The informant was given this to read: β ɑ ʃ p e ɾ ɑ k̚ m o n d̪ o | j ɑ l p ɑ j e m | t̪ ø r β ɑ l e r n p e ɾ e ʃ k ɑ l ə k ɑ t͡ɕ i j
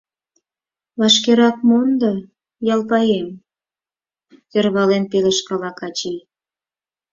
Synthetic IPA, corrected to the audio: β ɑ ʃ k e ɾ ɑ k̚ m o n d̪ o | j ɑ l p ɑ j e m | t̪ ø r β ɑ l e n p e l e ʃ k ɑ l ɑ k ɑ t͡ɕ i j